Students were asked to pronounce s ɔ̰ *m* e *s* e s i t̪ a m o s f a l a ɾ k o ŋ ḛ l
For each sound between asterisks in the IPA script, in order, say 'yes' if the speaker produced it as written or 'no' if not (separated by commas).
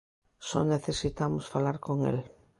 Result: no, no